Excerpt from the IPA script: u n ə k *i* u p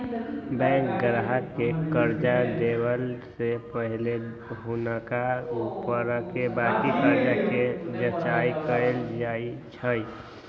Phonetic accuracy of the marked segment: incorrect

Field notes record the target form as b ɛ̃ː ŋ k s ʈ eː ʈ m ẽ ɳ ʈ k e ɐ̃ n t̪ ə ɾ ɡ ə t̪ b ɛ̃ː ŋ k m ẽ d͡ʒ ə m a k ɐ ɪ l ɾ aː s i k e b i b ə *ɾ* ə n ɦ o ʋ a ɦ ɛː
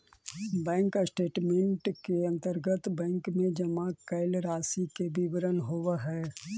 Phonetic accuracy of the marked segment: correct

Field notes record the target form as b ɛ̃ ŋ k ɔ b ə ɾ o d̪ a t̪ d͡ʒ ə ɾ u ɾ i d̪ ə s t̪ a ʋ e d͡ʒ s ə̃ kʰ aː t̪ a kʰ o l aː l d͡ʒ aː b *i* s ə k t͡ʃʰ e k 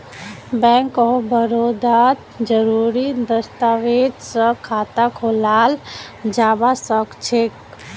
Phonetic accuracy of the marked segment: incorrect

